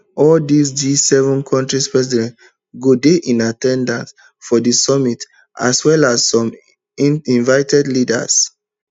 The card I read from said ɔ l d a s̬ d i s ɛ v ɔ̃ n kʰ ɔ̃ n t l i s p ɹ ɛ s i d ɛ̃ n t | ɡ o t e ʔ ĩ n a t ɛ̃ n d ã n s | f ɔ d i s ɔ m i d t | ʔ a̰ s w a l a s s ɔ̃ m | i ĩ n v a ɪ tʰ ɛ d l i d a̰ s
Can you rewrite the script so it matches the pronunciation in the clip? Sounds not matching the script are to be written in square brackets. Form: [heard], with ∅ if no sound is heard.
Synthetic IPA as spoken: ɔ l d [i] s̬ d i s ɛ v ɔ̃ n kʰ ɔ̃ n t [ɹ] i s p ɹ ɛ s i d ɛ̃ n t | ɡ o [d] e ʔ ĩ n a t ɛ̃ n d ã n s | f ɔ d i s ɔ m i [∅] t | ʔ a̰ s w [ɛ] l a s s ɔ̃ m | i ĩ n v a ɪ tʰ ɛ d l i d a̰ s